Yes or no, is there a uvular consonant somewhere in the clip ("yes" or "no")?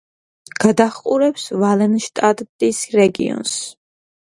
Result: yes